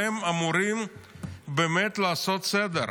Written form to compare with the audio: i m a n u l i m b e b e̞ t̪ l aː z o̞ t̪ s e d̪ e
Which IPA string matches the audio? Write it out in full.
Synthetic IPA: e m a m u ɾ i m b e m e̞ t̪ l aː s o̞ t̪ s e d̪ e